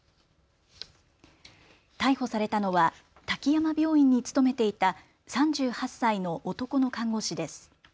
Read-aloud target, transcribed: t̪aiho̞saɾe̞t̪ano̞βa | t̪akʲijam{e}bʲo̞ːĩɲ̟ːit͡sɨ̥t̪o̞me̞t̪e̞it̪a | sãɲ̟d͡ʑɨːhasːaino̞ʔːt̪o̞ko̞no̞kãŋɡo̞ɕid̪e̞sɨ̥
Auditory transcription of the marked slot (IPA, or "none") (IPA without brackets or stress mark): a